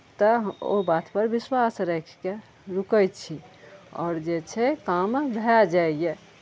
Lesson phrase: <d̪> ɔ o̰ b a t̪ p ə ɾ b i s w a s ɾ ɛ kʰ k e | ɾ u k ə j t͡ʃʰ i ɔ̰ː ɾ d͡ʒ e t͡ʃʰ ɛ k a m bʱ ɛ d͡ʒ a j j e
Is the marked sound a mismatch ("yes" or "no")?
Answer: yes